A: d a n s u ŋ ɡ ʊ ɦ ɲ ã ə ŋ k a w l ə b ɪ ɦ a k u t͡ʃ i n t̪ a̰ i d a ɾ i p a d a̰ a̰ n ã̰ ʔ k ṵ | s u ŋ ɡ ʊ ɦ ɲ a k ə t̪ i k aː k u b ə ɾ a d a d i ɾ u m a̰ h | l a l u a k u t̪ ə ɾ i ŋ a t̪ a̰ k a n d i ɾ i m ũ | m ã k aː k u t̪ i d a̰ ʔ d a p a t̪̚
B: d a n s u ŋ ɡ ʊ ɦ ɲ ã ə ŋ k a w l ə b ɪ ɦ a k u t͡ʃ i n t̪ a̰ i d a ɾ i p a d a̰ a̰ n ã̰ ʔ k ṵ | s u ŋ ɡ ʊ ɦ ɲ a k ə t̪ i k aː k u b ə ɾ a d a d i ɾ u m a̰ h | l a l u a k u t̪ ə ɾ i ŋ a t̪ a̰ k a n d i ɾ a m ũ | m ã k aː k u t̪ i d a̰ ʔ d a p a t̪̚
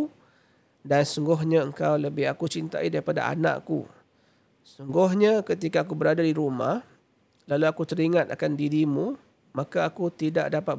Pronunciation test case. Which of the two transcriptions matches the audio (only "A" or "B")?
A